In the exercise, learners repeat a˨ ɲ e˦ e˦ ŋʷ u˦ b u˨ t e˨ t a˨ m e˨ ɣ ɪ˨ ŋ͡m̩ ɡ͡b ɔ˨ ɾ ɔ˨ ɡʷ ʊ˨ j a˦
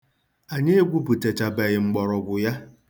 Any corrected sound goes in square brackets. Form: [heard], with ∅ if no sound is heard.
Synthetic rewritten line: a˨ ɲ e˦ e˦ [ɡʷ] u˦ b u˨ t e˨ [t͡ʃ] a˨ [b] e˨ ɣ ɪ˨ ŋ͡m̩ ɡ͡b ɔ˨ ɾ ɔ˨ ɡʷ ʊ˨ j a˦

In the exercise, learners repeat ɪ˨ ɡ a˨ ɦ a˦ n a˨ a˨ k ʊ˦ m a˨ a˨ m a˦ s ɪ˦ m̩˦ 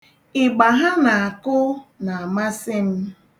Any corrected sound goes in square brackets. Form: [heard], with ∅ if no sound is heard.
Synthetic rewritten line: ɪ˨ [ɡ͡b] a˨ ɦ a˦ n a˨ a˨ k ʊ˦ [n] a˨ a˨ m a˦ s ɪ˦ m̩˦

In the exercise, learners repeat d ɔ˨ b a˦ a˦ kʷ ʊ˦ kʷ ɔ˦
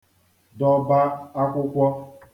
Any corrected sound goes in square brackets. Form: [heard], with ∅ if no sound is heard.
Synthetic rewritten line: d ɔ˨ b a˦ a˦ kʷ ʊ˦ kʷ ɔ˦

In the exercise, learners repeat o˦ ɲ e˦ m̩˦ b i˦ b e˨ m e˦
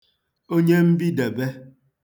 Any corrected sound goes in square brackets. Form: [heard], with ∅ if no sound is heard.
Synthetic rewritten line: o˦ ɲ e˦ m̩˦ b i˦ [d] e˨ [b] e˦

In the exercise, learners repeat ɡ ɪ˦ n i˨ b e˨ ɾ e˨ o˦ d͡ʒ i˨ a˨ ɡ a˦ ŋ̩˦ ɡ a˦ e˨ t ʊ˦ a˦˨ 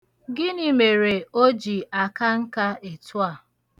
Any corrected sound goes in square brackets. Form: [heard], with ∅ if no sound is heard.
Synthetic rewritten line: ɡ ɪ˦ n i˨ [m] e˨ ɾ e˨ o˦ d͡ʒ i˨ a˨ [k] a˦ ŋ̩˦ [k] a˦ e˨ t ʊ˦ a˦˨

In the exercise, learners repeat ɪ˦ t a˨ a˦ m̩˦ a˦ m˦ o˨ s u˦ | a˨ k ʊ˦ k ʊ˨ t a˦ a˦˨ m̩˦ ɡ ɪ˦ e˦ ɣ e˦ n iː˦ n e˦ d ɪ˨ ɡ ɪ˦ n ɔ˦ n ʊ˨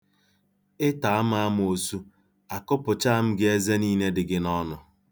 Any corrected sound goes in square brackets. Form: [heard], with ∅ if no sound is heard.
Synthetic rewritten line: ɪ˦ t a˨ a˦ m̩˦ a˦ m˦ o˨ s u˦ | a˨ k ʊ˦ [p] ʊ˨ [t͡ʃ] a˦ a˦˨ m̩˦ ɡ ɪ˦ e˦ [z] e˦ n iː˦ n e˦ d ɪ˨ ɡ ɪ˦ n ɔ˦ n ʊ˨

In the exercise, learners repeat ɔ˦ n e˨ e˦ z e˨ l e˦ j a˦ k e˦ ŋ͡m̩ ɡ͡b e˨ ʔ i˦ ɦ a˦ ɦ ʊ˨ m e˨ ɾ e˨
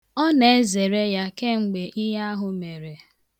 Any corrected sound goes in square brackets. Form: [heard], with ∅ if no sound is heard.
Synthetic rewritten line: ɔ˦ n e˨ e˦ z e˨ [ɾ] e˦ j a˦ k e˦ ŋ͡m̩ ɡ͡b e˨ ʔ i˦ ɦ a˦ ɦ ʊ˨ m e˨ ɾ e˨

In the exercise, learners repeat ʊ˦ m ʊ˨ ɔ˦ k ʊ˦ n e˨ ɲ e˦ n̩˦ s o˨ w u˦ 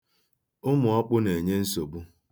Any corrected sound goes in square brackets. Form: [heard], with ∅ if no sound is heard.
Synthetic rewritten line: ʊ˦ m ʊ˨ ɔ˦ [k͡p] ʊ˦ n e˨ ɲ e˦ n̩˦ s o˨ [b] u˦

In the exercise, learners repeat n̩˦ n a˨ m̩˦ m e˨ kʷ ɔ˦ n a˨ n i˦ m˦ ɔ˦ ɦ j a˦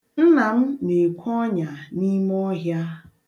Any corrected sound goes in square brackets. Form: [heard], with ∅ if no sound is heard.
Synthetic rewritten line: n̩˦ n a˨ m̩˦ [n] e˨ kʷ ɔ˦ [ɲ] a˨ n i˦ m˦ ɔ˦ ɦ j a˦

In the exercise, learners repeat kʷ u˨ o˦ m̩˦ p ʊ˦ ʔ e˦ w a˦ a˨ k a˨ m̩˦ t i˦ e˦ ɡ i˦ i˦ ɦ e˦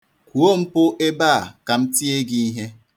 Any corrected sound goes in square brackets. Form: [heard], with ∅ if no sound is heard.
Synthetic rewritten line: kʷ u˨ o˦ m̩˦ p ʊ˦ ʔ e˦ [b] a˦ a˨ k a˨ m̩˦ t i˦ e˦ ɡ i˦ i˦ ɦ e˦

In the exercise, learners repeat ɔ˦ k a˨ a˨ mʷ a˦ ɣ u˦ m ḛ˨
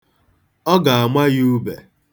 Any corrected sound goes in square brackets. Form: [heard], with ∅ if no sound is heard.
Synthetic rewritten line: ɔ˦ [ɡ] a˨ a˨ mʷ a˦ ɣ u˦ [b] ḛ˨

